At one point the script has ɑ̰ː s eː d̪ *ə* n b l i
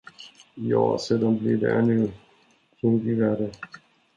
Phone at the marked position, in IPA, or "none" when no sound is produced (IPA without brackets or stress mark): a